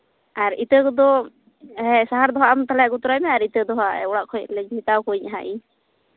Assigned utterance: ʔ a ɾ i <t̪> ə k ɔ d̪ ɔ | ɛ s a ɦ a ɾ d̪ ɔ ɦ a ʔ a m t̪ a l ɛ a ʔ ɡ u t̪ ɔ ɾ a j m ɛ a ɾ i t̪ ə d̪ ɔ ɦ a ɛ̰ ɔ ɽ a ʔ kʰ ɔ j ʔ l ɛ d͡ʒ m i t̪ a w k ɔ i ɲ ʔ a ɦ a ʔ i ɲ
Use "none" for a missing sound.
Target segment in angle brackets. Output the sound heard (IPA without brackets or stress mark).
t̪